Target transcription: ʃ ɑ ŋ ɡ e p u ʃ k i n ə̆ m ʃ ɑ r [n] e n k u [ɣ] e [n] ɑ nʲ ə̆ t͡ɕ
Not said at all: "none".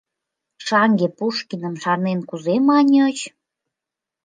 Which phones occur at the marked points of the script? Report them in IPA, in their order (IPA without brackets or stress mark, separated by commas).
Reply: n, z, m